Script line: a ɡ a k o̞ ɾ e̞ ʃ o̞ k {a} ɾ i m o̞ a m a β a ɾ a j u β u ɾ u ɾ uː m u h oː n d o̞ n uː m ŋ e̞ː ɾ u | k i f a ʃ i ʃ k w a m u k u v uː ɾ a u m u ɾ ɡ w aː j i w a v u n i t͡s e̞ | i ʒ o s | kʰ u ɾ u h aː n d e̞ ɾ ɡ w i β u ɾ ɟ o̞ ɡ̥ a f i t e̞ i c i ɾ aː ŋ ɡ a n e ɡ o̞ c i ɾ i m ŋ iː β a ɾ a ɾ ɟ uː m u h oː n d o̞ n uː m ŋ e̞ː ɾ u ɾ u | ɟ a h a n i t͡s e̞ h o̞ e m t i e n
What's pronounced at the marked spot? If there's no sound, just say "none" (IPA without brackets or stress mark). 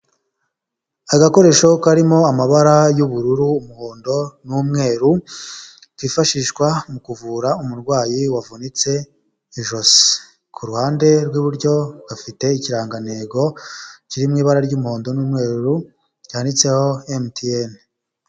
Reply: a